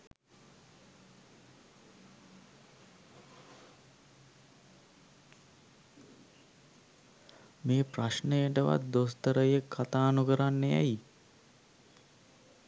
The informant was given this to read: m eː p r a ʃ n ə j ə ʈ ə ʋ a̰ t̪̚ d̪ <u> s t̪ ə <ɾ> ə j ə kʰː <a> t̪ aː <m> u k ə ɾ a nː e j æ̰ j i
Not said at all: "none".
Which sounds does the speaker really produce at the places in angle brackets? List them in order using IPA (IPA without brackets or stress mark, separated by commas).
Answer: o, ɾ, a, n